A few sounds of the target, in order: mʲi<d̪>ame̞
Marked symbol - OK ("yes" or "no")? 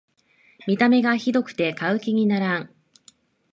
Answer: no